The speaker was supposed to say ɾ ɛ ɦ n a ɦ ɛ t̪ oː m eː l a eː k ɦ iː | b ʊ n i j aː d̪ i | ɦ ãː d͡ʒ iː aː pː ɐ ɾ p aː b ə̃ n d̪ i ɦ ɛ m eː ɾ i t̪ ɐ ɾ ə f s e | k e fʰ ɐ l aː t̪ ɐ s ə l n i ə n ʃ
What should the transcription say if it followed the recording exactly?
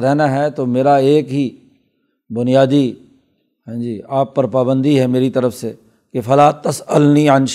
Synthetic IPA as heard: ɾ ɛ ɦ n a ɦ ɛ t̪ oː m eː ɾ a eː k ɦ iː | b ʊ n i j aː d̪ i | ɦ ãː d͡ʒ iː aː pː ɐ ɾ p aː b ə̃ n d̪ i ɦ ɛ m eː ɾ i t̪ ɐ ɾ ə f s e | k e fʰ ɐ l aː t̪ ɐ s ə l n i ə n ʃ